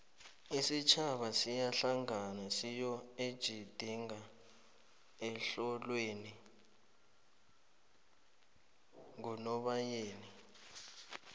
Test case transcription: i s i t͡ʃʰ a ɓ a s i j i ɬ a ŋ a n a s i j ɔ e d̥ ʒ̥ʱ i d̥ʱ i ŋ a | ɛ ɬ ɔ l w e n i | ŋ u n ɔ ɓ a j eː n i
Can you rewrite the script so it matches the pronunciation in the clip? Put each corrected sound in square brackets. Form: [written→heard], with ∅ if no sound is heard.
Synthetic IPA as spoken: i s i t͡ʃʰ a ɓ a s i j [i→a] ɬ a ŋ a n a s i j ɔ e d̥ ʒ̥ʱ i d̥ʱ i ŋ a | ɛ ɬ ɔ l w e n i | ŋ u n ɔ ɓ a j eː n i